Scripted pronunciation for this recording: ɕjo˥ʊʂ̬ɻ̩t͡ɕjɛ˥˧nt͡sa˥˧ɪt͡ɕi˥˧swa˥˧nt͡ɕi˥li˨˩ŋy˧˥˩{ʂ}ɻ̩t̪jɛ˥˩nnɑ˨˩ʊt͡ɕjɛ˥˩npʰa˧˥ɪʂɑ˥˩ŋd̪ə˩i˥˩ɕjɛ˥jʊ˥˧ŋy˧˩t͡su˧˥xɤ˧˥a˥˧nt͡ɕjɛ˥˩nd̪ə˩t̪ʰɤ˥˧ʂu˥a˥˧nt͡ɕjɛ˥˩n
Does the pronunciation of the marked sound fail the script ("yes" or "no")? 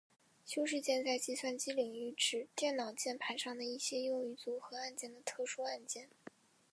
yes